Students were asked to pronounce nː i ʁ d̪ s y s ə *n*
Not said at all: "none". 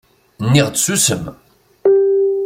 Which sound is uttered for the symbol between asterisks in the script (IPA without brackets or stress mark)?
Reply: m